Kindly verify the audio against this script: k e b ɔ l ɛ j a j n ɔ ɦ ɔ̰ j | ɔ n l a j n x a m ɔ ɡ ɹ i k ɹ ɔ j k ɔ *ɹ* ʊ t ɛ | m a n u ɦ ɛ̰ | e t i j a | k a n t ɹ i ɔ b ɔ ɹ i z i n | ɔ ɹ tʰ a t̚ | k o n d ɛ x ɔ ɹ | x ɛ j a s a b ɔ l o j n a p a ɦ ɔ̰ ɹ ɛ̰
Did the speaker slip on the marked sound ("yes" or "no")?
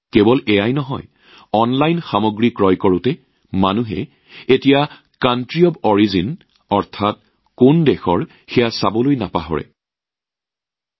no